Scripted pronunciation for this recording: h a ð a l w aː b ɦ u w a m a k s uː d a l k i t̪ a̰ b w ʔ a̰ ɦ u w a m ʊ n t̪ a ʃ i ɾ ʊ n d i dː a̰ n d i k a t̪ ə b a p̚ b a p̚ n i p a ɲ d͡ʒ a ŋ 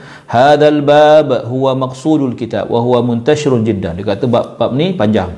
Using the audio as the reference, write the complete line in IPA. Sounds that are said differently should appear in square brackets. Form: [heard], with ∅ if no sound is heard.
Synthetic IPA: h a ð a l [b] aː b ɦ u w a m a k s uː d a l k i t̪ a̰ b w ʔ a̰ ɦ u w a m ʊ n t̪ a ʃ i ɾ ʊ n [d͡ʒ] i dː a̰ n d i k a t̪ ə b a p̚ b a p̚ n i p a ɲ d͡ʒ a ŋ